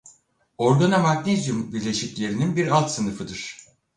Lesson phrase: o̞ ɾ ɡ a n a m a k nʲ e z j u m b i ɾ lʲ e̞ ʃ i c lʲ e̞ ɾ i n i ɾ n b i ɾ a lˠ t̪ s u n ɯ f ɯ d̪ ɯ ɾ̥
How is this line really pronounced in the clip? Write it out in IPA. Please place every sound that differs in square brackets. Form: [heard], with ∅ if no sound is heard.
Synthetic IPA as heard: o̞ ɾ ɡ a n a m a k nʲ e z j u m b i ɾ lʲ e̞ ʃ i c lʲ e̞ ɾ i n i [∅] n b i ɾ a lˠ t̪ s [ɯ] n ɯ f ɯ d̪ ɯ ɾ̥